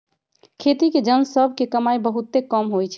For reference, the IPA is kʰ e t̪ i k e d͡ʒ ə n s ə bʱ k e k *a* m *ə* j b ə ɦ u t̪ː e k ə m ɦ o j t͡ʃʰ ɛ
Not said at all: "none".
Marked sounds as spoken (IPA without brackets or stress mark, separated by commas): ə, a